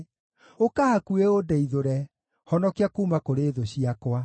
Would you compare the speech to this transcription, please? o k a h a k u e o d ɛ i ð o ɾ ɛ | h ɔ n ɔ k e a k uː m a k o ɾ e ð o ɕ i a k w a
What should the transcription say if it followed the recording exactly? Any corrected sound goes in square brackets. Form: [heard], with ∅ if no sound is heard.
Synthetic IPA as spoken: o k a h a k u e o d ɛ i ð o ɾ ɛ | h ɔ n ɔ k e a k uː m a k o ɾ e ð o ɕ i a k w a